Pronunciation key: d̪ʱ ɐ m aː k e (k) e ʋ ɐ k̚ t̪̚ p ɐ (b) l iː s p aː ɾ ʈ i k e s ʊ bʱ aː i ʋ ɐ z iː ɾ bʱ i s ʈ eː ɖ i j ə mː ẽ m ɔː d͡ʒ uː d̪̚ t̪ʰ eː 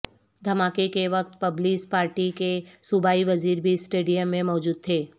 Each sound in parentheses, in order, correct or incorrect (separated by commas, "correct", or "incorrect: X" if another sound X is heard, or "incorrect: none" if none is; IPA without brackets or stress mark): correct, correct